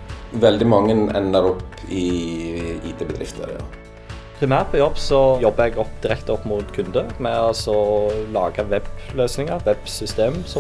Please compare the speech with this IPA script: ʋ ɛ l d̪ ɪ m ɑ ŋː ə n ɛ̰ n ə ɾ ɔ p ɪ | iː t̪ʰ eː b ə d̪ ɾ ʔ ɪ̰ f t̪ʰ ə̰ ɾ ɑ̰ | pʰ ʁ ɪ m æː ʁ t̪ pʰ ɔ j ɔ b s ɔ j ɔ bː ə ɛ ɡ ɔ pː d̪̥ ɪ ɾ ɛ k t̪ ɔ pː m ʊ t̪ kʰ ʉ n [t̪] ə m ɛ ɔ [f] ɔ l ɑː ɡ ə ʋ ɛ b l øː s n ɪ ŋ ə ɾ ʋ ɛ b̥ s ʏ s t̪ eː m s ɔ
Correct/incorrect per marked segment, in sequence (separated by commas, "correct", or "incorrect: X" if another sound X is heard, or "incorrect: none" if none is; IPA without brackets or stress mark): incorrect: d̪, incorrect: s